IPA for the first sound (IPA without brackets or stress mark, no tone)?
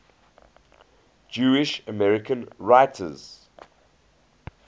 d͡ʒ